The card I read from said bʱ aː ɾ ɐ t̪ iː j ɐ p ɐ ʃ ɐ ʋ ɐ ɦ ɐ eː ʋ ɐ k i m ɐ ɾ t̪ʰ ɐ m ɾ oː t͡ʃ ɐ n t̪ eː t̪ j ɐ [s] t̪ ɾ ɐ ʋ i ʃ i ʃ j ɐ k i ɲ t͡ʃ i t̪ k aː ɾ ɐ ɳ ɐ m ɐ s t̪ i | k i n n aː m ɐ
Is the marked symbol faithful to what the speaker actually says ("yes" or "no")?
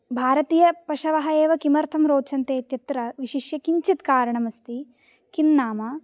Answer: no